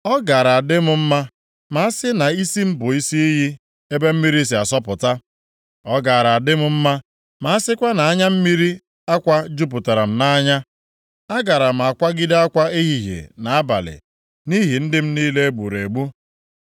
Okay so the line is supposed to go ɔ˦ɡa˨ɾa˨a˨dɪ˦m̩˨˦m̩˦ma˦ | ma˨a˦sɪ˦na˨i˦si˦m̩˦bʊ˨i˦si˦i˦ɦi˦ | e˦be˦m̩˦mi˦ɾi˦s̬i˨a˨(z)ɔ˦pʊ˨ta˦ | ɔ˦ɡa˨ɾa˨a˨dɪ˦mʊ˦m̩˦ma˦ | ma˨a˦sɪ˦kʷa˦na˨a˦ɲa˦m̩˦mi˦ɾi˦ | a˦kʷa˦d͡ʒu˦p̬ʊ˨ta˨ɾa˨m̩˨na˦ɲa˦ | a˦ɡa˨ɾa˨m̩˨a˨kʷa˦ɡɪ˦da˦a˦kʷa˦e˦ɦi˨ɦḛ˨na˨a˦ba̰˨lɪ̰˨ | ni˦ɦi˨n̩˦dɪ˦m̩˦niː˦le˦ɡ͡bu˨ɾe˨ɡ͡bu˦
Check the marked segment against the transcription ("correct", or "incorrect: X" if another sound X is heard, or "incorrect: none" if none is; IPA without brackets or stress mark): incorrect: s